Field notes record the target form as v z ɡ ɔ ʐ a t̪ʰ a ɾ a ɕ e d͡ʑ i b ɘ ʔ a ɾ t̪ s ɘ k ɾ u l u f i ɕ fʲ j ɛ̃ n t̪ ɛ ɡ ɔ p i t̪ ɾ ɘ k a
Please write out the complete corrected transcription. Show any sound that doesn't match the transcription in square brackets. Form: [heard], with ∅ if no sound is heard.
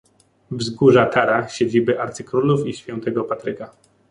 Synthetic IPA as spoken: v z ɡ [u] ʐ a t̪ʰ a ɾ a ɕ e d͡ʑ i b ɘ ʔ a ɾ t̪ s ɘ k ɾ u l u f i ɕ fʲ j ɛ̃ n t̪ ɛ ɡ ɔ p [a] t̪ ɾ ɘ k a